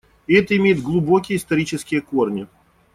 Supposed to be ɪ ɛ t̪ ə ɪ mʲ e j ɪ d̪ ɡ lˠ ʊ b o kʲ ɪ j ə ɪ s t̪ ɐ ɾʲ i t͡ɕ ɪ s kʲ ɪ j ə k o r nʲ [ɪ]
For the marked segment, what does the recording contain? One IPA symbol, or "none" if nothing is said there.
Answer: ɪ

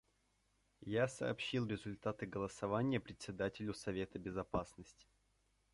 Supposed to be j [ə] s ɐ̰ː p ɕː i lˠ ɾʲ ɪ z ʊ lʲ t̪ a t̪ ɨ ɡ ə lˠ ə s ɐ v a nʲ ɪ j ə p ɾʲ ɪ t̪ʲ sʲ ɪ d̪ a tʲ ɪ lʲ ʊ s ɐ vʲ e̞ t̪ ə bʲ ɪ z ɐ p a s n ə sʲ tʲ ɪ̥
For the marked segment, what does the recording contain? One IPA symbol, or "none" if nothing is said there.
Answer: a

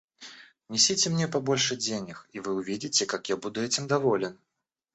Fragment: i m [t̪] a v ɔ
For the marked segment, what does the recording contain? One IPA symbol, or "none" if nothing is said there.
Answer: d̪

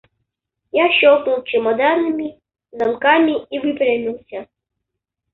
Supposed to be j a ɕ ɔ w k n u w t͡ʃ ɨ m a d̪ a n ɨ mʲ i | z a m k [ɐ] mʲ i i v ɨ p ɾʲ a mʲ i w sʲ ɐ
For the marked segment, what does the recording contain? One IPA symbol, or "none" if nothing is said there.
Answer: a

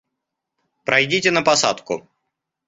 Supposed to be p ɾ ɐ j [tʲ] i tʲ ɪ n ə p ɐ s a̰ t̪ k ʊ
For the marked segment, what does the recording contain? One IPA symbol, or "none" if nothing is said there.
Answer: dʲ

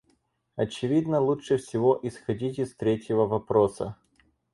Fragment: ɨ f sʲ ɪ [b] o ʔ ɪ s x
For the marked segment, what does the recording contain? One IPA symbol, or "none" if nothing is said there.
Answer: v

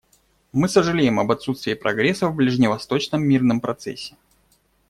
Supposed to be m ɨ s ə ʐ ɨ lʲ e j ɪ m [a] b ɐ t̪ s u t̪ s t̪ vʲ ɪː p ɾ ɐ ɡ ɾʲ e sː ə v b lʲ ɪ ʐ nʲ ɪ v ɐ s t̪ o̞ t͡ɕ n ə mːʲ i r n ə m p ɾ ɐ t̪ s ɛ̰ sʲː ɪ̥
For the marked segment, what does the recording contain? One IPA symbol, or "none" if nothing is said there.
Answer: ɐ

